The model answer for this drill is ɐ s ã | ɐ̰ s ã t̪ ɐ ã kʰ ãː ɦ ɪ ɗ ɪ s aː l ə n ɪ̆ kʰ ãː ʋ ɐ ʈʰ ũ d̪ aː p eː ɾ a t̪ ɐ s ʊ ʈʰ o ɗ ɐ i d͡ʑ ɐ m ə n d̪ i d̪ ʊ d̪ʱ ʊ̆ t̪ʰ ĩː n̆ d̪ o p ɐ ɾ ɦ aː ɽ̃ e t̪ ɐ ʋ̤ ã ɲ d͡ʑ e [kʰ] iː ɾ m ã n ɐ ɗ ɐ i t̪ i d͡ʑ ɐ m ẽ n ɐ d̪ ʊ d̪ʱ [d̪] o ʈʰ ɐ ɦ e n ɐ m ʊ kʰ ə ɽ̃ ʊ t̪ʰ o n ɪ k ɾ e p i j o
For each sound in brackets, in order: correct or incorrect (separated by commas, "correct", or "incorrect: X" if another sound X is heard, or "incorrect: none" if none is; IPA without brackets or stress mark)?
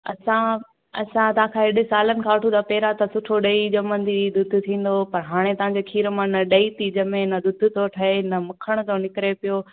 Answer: correct, incorrect: t̪